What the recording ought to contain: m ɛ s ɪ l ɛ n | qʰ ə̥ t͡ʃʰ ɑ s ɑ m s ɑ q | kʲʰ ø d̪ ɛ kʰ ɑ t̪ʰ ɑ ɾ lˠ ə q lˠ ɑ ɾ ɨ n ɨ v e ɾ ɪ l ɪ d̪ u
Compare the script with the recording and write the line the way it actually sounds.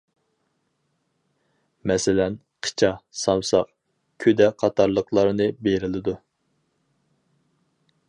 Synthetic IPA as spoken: m ɛ s ɪ l ɛ n | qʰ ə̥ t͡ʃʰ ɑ s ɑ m s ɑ q | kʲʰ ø d̪ ɛ qʰ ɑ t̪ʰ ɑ ɾ lˠ ə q lˠ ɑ ɾ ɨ n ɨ b e ɾ ɪ l ɪ d̪ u